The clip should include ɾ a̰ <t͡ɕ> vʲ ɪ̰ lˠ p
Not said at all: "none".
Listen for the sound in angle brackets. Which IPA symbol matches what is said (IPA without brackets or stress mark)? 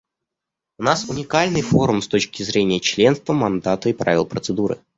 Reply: none